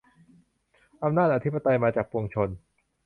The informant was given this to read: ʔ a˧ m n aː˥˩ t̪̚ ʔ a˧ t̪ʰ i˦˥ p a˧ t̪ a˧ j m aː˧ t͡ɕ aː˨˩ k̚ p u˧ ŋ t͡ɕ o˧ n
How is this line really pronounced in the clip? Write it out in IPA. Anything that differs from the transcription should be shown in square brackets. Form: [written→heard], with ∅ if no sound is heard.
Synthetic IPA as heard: ʔ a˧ m n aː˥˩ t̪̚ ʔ a˧ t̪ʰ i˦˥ p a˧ t̪ a˧ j m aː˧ t͡ɕ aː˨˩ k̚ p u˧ ŋ [t͡ɕ→t͡ɕʰ] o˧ n